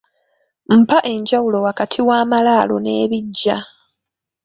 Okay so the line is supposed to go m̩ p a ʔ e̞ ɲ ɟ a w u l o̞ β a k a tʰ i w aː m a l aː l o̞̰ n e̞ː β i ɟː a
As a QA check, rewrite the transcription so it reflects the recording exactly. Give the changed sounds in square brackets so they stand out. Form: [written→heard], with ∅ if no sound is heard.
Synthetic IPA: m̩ p a ʔ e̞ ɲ ɟ a w u l o̞ [β→w] a k a tʰ i w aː m a l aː l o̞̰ n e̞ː β i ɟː a